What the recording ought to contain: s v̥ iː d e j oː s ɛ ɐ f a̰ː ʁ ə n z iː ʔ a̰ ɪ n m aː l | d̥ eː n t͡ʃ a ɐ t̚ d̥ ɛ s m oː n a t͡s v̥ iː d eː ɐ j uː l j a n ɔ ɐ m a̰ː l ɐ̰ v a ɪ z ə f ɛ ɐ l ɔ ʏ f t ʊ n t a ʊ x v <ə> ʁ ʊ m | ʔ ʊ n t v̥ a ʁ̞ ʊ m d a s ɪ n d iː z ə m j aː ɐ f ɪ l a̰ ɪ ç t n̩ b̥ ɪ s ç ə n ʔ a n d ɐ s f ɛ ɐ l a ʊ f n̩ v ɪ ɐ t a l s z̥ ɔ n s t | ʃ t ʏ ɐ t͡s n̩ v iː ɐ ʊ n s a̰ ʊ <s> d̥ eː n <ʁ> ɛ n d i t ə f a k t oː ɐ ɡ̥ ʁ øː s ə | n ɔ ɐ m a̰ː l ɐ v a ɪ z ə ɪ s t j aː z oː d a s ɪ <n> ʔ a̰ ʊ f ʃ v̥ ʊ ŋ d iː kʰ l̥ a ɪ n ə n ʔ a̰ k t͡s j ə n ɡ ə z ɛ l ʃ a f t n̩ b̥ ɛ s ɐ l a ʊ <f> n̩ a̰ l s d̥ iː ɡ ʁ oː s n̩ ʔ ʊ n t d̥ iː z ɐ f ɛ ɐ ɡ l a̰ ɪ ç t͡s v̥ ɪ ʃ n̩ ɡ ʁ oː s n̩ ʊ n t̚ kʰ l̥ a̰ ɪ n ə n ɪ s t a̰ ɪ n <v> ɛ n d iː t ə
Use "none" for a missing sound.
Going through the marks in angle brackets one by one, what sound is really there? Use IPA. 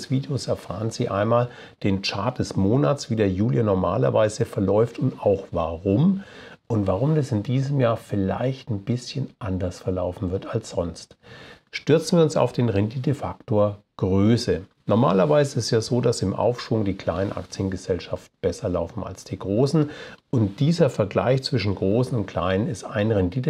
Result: a, f, ʁ, m, f, ʁ

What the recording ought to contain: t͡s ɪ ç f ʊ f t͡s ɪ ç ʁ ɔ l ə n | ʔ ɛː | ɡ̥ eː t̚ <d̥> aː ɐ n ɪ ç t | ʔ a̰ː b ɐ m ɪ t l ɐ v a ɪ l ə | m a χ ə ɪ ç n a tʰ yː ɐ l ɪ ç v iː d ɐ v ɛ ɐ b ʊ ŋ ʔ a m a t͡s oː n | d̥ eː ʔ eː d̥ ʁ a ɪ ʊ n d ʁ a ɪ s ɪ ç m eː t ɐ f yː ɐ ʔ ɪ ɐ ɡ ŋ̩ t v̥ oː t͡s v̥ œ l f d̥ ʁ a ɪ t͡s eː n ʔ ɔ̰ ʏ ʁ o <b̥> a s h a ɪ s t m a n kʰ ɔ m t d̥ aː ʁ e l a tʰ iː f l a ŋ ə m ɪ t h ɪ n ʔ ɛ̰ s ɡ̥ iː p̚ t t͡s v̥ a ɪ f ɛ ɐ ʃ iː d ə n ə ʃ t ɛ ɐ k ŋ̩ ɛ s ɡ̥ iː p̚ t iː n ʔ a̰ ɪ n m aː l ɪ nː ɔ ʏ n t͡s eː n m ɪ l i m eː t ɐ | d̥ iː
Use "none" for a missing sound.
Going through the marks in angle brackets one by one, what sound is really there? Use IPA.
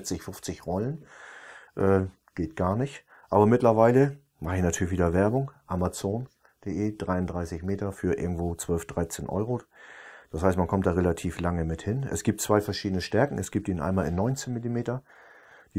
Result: ɡ̥, d̥

